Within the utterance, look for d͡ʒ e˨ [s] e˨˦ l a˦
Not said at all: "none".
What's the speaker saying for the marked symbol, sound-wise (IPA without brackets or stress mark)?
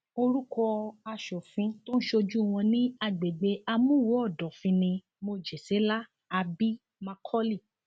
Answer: s